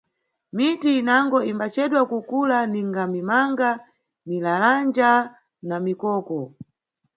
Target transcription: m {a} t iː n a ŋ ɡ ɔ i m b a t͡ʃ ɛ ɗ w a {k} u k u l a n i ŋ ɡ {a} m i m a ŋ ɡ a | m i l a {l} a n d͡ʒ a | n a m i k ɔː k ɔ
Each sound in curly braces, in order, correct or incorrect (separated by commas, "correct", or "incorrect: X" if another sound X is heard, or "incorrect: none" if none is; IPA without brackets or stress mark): incorrect: i, correct, correct, correct